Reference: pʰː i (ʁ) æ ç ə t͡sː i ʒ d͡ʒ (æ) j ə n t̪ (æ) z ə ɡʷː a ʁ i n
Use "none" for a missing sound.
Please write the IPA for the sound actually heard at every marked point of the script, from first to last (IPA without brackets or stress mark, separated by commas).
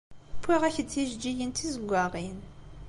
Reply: ʁ, i, i